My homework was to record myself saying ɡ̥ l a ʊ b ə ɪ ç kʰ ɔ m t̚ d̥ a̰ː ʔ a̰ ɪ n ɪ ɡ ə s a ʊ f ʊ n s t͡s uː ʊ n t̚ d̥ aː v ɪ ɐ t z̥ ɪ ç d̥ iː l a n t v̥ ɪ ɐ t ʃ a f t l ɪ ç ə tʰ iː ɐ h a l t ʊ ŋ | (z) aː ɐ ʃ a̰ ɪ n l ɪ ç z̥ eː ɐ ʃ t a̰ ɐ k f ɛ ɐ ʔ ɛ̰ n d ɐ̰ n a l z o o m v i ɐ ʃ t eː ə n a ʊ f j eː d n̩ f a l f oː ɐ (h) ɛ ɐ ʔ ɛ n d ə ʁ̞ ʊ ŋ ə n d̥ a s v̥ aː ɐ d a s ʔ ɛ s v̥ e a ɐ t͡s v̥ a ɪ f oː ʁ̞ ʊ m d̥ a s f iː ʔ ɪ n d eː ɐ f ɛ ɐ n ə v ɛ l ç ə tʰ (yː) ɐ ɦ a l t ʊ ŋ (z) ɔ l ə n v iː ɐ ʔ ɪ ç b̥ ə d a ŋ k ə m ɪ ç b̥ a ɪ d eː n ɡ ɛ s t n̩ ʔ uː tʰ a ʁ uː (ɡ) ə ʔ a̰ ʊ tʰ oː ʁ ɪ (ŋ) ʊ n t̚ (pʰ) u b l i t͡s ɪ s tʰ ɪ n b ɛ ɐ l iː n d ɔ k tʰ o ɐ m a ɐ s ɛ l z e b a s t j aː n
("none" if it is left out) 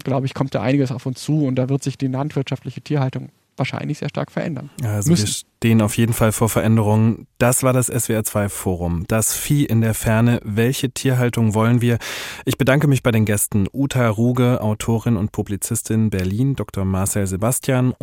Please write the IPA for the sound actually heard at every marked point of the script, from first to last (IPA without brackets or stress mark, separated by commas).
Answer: v, f, iː, v, ɡ, n, pʰ